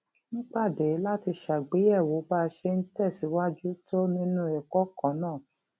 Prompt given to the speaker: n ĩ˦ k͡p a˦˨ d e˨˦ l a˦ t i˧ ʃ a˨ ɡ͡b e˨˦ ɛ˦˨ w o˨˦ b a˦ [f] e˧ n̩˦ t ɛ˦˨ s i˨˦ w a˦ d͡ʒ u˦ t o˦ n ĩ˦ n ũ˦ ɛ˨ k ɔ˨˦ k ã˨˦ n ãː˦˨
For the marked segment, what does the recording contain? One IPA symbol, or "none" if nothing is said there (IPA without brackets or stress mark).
ʃ